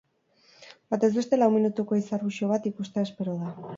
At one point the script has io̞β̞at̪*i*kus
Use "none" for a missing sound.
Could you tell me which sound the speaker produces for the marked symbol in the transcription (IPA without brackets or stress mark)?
i